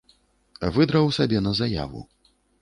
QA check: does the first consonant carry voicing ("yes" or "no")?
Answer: yes